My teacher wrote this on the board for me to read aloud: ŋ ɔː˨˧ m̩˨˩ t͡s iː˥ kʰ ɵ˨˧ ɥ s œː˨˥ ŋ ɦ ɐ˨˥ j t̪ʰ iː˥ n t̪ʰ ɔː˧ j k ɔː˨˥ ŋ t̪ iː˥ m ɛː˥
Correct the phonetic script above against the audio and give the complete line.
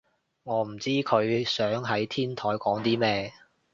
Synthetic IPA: ŋ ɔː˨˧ m̩˨˩ t͡s iː˥ kʰ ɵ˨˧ ɥ s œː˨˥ ŋ ɦ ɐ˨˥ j t̪ʰ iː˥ n t̪ʰ ɔː˨˥ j k ɔː˨˥ ŋ t̪ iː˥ m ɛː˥